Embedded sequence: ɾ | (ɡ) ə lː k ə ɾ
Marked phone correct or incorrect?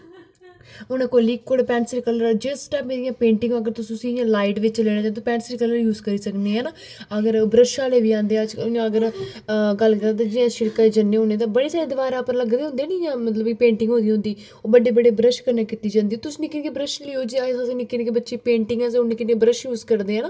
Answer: correct